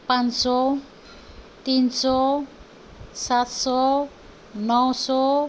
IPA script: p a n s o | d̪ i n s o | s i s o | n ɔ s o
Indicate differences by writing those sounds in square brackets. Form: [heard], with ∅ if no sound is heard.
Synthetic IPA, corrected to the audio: p a n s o | [t̪] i n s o | s [a] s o | n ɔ s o

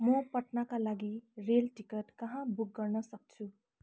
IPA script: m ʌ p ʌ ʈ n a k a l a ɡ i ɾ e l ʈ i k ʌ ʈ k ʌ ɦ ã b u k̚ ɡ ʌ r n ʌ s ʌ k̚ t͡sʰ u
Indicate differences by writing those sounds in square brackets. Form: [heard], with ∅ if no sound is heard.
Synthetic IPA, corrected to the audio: m ʌ p ʌ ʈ n a k a l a ɡ i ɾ e l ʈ i k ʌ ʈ k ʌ ɦ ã b u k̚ ɡ ʌ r n ʌ s ʌ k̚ t͡sʰ u

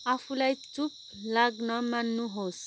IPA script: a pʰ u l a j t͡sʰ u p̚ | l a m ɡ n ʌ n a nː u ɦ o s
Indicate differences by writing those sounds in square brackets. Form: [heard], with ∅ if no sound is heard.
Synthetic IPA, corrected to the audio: a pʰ u l a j [t͡s] u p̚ | l a [∅] ɡ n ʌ [m] a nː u ɦ o s

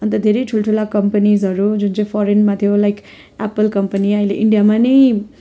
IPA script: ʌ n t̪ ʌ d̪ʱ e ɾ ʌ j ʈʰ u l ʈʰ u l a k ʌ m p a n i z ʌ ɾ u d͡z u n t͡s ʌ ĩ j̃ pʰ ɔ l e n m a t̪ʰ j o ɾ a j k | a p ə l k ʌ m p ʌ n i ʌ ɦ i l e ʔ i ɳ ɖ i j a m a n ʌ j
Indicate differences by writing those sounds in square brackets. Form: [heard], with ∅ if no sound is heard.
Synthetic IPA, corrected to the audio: ʌ n t̪ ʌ d̪ʱ e ɾ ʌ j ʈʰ u l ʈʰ u l a k ʌ m p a n i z ʌ ɾ u d͡z u n t͡s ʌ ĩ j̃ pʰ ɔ [ɾ] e n m a t̪ʰ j o [l] a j k | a p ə l k ʌ m p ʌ n i ʌ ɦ i l e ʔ i ɳ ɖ i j a m a n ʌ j

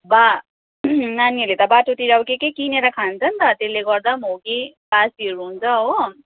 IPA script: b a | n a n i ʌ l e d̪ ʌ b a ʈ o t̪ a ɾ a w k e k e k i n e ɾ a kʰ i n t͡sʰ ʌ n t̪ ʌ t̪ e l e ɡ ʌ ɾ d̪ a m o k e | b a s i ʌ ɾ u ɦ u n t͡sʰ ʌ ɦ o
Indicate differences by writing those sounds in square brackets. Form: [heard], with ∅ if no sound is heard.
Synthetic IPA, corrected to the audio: b a | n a n i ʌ l e [t̪] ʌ b a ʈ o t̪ [i] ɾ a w k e k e k i n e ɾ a kʰ [a] n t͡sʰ ʌ n t̪ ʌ t̪ e l e ɡ ʌ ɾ d̪ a m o k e | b a s i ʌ ɾ u ɦ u n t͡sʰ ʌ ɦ o

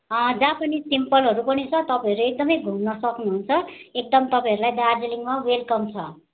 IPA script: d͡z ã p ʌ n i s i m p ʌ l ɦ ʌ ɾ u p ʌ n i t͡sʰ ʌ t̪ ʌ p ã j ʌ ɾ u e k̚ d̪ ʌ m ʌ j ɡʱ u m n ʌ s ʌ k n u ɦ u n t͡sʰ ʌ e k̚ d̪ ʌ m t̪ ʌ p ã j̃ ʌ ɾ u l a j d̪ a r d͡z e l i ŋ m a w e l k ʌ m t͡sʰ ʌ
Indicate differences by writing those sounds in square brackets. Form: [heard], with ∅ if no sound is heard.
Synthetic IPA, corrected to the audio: d͡z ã p ʌ n i s i m p ʌ l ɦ ʌ ɾ u p ʌ n i t͡sʰ ʌ t̪ ʌ p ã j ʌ ɾ u e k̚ d̪ ʌ m ʌ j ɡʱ u m n ʌ s ʌ k n u ɦ u n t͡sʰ ʌ e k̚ d̪ ʌ m t̪ ʌ p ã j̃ ʌ ɾ u l a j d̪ a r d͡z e l i ŋ m a w e l k ʌ m t͡sʰ ʌ

